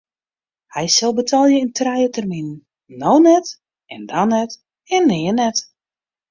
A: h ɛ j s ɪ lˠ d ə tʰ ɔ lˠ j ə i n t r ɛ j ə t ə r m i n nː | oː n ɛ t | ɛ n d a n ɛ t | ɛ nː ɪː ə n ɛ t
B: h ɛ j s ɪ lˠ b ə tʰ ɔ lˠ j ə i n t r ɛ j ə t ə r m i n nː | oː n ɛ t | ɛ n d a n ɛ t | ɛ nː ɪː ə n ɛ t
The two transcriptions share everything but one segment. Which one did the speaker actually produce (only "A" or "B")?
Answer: B